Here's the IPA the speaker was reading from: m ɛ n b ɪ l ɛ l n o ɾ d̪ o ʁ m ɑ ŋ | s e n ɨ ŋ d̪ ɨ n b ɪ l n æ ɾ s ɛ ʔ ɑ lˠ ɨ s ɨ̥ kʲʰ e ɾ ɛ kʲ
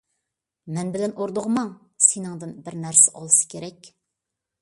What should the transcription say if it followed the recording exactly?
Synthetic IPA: m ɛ n b ɪ l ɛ n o ɾ d̪ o ʁ m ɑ ŋ | s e n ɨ ŋ d̪ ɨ n b ɪ ɾ n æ ɾ s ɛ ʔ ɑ lˠ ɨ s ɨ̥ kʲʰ e ɾ ɛ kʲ